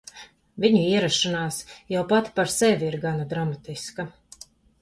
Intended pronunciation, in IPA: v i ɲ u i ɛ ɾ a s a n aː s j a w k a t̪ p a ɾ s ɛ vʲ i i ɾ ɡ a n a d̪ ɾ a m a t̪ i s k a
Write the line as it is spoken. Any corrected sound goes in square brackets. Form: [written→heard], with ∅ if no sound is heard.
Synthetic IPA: v i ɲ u i ɛ ɾ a [s→ʃ] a n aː s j a w [k→p] a t̪ p a ɾ s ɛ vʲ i i ɾ ɡ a n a d̪ ɾ a m a t̪ i s k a